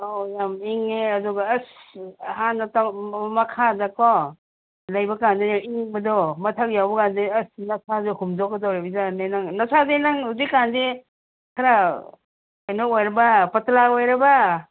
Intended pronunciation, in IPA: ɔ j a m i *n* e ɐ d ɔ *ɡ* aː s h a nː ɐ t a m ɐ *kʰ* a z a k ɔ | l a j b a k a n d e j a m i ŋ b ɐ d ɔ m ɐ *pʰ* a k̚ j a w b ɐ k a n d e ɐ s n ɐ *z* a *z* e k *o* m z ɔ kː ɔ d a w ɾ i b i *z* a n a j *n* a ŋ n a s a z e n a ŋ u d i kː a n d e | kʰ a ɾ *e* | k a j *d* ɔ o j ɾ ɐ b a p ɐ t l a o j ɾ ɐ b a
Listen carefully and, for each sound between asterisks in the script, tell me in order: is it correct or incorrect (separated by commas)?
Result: incorrect, correct, correct, incorrect, incorrect, correct, incorrect, correct, correct, incorrect, incorrect